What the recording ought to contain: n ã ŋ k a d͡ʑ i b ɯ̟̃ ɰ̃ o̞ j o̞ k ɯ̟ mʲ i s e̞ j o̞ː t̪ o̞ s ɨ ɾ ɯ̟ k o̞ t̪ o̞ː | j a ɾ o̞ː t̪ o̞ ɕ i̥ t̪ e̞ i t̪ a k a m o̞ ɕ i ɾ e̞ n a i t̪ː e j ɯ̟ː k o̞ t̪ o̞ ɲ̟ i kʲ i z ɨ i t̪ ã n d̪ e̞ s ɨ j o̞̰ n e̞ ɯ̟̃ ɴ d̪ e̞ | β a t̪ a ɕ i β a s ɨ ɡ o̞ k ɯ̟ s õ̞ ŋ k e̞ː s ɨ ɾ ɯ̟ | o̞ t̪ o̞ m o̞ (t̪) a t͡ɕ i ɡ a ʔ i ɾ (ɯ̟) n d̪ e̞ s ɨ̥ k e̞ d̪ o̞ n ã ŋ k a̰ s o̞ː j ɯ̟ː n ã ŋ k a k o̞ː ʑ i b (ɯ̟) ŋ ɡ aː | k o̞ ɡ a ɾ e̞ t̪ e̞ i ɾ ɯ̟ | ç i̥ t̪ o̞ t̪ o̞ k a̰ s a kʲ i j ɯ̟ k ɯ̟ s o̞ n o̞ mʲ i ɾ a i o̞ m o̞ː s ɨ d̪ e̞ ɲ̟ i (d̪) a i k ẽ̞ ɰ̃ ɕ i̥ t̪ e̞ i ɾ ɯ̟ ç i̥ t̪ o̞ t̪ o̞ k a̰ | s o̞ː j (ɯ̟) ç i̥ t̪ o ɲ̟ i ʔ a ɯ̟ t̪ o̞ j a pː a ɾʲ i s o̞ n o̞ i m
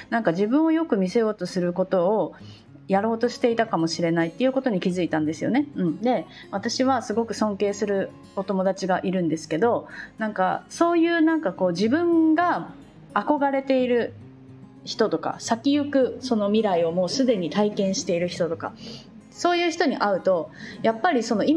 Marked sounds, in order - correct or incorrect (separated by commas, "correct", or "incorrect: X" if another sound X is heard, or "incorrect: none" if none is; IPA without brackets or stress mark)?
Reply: incorrect: d̪, incorrect: ɯ̟̃, incorrect: ɯ̟̃, incorrect: t̪, incorrect: ɯ̟ː